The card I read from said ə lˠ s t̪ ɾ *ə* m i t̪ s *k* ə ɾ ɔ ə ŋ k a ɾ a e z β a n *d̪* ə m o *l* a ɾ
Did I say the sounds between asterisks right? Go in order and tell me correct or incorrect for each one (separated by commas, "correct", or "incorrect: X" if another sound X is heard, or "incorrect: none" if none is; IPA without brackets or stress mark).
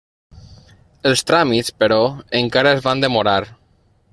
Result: incorrect: a, incorrect: p, correct, incorrect: ɾ